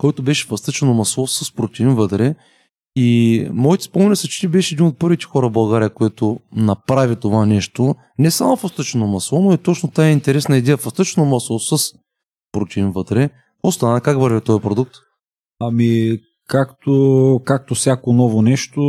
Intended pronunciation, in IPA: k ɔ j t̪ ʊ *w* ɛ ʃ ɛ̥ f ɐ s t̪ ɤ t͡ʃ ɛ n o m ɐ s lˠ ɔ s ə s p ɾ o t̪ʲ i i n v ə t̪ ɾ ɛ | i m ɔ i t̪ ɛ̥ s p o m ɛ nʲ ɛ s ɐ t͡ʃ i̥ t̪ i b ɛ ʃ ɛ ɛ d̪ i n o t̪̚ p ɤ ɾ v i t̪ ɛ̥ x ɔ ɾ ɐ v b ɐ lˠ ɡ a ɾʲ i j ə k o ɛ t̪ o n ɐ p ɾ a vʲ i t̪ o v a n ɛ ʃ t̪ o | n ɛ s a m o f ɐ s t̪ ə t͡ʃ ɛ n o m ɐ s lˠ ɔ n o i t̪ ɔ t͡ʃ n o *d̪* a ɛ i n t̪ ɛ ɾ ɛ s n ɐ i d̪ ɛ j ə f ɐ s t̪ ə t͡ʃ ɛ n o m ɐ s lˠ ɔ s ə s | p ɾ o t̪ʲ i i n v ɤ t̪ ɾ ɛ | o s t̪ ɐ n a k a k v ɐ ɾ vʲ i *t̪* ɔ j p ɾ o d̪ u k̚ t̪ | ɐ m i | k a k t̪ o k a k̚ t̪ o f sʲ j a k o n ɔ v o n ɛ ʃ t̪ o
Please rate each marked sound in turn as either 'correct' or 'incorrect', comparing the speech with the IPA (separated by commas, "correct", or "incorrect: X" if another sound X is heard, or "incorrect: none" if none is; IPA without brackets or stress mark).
incorrect: b, incorrect: t̪, correct